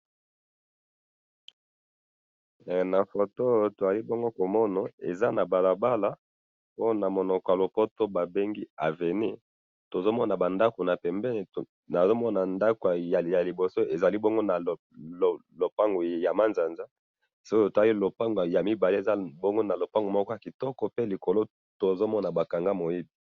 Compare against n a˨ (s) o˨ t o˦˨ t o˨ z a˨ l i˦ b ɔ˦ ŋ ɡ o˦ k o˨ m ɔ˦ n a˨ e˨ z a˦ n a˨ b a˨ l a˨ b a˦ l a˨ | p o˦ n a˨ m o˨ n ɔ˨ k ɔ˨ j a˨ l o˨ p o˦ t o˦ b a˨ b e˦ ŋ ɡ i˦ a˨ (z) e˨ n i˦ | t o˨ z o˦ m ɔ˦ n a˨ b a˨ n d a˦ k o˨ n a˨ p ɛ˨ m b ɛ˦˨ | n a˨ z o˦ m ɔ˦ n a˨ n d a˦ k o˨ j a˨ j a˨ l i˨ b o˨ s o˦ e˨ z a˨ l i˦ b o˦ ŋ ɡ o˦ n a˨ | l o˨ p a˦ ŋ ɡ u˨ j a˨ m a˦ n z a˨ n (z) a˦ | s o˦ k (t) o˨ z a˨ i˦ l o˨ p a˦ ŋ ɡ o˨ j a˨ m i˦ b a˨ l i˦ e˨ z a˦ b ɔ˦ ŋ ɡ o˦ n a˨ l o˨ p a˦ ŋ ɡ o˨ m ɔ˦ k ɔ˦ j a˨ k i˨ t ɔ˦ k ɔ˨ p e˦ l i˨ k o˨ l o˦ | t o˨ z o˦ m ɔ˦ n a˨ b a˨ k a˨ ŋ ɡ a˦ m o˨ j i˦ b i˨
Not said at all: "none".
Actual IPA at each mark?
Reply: f, v, z, t

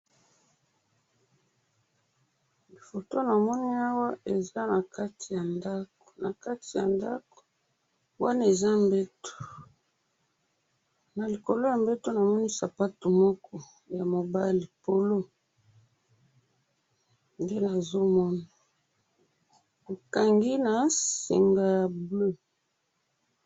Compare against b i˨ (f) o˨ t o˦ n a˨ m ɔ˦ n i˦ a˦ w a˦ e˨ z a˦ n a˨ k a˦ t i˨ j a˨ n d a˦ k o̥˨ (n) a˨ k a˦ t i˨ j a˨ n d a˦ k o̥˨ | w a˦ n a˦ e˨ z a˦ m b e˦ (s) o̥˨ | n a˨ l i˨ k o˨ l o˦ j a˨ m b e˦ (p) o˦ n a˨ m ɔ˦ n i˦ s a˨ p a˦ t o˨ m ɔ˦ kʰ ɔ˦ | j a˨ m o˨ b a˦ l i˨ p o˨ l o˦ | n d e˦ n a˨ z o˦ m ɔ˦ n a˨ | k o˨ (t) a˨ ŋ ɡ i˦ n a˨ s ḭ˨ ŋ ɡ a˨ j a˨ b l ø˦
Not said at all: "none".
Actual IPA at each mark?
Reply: f, n, t, t, k

